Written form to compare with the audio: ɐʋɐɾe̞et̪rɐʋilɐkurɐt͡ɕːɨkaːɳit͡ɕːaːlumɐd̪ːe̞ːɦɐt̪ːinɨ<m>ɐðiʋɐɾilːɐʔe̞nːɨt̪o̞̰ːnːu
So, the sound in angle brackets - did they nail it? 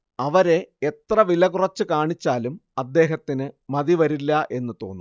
yes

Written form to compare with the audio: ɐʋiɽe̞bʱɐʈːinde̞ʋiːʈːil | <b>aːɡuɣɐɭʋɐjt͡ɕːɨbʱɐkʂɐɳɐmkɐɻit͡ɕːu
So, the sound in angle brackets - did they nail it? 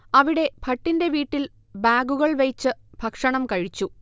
yes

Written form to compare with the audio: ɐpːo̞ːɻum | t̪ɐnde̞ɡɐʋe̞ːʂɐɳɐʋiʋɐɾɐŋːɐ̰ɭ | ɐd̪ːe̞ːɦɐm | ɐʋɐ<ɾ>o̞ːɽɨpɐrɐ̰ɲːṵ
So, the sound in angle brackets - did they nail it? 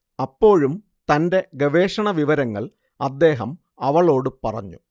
no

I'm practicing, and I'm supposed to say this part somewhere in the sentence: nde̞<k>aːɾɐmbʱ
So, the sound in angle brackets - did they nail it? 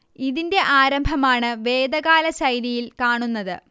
no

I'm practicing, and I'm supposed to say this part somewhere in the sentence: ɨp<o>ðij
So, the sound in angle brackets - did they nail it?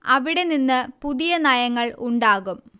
no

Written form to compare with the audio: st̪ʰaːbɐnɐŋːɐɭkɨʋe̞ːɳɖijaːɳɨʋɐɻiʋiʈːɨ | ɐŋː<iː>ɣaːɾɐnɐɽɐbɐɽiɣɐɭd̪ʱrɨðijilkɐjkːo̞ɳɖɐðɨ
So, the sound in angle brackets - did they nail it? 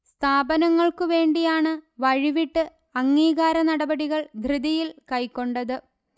yes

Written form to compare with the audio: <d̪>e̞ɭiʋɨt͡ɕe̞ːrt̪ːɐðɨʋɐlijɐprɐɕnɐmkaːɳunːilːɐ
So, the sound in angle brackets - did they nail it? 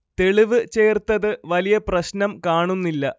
no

